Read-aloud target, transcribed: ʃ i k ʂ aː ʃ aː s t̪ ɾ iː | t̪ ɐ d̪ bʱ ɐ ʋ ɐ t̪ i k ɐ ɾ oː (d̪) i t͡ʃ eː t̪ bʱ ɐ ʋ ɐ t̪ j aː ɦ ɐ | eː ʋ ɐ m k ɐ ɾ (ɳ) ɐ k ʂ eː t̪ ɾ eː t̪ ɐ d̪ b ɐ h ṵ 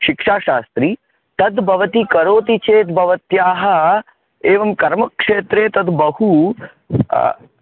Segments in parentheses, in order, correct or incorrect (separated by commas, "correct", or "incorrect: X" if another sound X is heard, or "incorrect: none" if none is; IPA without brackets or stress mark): incorrect: t̪, incorrect: m